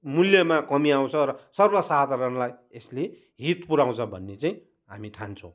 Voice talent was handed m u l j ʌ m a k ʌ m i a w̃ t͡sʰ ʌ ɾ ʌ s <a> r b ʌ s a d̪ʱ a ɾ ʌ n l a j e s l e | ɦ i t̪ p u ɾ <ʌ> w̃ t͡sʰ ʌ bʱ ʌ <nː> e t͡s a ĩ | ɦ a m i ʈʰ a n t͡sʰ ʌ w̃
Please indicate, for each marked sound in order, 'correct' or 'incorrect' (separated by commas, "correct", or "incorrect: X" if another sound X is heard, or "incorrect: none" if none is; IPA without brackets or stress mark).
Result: incorrect: ʌ, incorrect: a, correct